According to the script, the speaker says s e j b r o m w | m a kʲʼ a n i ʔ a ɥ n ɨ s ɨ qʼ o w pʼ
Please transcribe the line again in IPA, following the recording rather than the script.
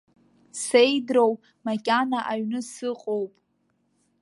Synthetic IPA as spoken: s e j d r o w | m a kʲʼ a n a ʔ a ɥ n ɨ s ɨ qʼ o w pʼ

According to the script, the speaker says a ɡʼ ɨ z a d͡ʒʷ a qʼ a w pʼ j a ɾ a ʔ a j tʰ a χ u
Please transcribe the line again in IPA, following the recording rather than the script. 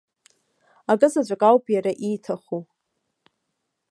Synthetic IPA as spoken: a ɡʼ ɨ z a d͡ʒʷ a kʼ a w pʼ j a ɾ a ʔ i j tʰ a χ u

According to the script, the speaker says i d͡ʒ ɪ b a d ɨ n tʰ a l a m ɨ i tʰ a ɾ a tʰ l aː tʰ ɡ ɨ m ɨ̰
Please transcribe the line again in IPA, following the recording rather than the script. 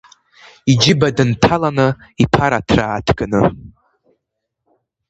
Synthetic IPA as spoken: i d͡ʒ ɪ b a d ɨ n tʰ a l a n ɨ i pʰ a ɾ a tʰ r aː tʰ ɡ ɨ n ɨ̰

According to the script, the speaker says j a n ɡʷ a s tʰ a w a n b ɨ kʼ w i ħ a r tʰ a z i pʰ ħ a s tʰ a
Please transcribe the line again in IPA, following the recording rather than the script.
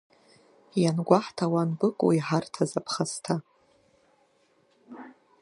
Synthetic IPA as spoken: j a n ɡʷ a ħ tʰ a w a n b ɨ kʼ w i ħ a r tʰ a z a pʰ χ a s tʰ a

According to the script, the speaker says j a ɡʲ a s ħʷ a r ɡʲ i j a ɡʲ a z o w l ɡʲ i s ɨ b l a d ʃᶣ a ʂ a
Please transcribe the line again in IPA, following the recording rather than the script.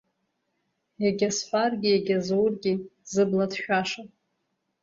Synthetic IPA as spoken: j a ɡʲ a s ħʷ a r ɡʲ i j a ɡʲ a z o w r ɡʲ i z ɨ b l a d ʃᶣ a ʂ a

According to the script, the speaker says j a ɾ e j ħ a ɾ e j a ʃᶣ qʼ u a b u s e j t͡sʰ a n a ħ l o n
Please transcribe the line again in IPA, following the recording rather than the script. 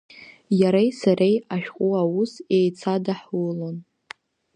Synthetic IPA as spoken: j a ɾ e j s a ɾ e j a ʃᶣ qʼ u a w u s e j t͡sʰ a d a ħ l o n

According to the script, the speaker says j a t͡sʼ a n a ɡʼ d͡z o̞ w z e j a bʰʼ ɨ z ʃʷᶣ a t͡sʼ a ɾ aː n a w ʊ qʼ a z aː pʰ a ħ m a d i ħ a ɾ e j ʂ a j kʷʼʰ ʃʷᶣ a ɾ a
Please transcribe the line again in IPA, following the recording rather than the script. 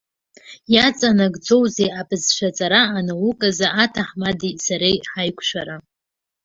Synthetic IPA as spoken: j a t͡sʼ a n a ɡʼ d͡z o̞ w z e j a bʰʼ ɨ z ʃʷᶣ a t͡sʼ a ɾ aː n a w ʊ kʼ a z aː tʰ a ħ m a d i s a ɾ e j ħ a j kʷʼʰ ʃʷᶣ a ɾ a

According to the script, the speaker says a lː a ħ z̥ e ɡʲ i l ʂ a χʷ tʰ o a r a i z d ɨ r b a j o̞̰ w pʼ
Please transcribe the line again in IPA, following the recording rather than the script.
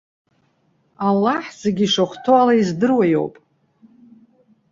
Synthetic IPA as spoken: a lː a ħ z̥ e ɡʲ i ʂ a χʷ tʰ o a l a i z d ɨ r w a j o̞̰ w pʼ

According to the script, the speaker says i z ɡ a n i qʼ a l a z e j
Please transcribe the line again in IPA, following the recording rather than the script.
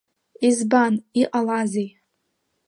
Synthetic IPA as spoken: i z b a n i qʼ a l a z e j

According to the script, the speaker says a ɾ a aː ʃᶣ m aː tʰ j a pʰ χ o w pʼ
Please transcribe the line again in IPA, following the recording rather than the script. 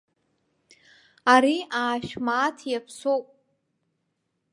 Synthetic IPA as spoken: a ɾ i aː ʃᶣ m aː tʰ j a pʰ s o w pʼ

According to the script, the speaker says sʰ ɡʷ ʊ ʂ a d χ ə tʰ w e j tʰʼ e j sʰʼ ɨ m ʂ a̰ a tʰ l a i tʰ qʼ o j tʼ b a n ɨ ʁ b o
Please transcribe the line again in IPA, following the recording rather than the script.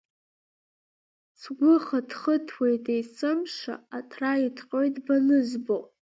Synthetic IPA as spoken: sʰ ɡʷ ʊ χ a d χ ə tʰ w e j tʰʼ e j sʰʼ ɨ m ʂ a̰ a tʰ r a i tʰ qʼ o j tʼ b a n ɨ z b o

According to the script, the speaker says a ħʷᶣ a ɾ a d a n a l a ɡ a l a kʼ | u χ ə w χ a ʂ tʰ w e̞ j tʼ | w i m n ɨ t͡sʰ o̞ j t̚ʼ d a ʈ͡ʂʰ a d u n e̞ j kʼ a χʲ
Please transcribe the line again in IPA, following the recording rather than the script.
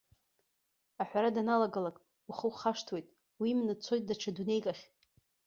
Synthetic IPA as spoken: a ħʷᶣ a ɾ a d a n a l a ɡ a l a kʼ | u χ ə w χ a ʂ tʰ w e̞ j tʼ | w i m n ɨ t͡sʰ o̞ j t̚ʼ d a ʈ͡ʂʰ a d u n e̞ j kʼ a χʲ

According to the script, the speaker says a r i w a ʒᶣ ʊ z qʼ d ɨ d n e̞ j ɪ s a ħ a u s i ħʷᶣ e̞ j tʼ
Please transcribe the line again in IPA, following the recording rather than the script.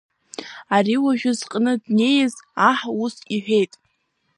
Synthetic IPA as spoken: a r i w a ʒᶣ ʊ z qʼ n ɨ d n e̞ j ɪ z a ħ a u s i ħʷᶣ e̞ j tʼ

